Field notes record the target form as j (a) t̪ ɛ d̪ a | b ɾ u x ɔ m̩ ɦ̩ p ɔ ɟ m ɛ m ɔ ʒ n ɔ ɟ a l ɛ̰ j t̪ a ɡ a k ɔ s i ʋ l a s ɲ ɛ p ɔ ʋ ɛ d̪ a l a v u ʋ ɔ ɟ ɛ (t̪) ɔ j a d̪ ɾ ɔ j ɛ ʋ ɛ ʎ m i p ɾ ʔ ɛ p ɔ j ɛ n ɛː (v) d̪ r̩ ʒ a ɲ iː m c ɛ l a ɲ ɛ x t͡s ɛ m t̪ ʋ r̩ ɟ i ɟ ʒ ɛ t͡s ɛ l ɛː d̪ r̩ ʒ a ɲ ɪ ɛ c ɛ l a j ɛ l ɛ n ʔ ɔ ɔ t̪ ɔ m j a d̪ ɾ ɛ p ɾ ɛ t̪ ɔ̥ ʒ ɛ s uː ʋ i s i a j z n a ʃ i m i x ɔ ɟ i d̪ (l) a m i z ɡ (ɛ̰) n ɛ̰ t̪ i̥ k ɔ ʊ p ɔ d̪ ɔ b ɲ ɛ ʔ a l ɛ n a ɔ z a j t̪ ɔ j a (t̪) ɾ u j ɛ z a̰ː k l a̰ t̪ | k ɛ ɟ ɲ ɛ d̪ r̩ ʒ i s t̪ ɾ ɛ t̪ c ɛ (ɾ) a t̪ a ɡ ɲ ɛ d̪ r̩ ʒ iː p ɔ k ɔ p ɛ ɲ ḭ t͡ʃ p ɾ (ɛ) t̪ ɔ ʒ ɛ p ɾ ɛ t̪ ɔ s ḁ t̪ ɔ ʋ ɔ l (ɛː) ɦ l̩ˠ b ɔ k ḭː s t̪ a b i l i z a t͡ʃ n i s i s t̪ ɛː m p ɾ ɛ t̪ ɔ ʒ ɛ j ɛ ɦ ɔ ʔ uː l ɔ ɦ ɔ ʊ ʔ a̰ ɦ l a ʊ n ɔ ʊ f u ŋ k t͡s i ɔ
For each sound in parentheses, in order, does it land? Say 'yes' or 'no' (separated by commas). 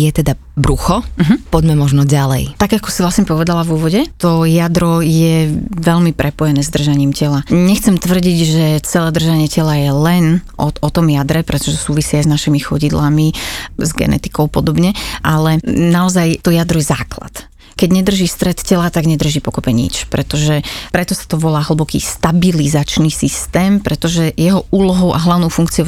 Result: no, yes, no, yes, yes, no, no, yes, no